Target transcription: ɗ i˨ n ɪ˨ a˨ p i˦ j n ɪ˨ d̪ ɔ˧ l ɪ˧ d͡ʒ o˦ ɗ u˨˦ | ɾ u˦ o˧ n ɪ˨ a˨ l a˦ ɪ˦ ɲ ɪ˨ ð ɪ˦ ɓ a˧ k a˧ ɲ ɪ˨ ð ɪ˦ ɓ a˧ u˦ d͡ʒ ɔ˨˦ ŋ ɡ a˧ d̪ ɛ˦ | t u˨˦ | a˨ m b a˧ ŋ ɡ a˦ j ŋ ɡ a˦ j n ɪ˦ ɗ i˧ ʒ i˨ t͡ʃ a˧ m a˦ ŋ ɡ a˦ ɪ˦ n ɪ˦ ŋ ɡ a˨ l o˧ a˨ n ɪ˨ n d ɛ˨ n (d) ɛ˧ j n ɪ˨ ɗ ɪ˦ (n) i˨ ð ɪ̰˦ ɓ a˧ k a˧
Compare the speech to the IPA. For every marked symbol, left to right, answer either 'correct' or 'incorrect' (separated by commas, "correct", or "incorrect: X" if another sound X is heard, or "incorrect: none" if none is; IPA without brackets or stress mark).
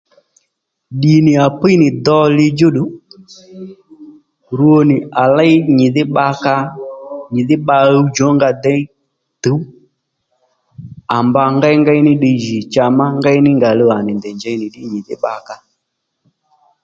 incorrect: d͡ʒ, incorrect: ɲ